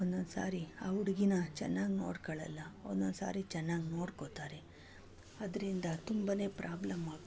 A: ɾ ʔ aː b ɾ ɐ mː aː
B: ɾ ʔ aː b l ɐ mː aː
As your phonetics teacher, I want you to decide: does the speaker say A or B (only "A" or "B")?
B